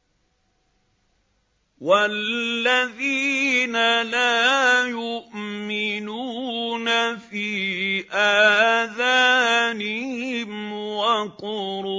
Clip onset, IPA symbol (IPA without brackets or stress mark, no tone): w